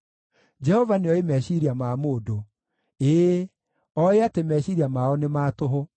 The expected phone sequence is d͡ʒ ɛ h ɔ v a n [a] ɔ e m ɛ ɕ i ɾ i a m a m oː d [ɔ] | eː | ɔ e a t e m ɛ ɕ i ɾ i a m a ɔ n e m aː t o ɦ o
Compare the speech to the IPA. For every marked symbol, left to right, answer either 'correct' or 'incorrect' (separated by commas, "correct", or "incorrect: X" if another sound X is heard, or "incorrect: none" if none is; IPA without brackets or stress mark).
incorrect: e, incorrect: o